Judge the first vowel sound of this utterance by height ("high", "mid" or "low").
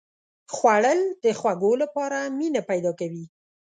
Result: low